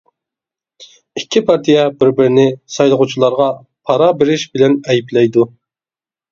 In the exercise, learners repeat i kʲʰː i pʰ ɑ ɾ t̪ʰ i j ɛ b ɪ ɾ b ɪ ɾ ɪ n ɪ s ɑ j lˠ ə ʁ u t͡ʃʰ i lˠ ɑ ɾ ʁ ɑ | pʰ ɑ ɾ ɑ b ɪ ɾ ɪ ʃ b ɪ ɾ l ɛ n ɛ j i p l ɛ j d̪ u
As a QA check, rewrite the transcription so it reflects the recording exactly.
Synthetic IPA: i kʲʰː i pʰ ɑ ɾ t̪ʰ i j ɛ b ɪ ɾ b ɪ ɾ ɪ n ɪ s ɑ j lˠ ə ʁ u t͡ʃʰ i lˠ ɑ ɾ ʁ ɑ | pʰ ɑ ɾ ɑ b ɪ ɾ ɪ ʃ b ɪ l ɛ n ɛ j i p l ɛ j d̪ u